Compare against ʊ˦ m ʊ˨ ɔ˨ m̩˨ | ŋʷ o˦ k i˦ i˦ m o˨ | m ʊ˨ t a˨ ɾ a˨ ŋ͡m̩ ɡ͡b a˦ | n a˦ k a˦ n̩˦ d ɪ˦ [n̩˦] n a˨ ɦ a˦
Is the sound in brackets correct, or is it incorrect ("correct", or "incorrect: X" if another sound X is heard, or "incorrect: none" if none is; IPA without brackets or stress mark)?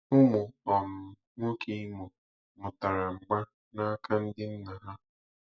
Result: correct